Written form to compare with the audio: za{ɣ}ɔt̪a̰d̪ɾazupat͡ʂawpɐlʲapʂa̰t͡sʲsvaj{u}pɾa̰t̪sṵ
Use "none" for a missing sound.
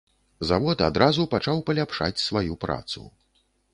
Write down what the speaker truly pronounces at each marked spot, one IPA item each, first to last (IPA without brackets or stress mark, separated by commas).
v, u